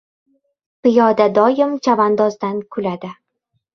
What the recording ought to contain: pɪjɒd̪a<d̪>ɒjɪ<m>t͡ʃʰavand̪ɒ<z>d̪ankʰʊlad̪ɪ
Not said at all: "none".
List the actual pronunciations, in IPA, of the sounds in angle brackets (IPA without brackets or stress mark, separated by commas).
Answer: d̪, m, z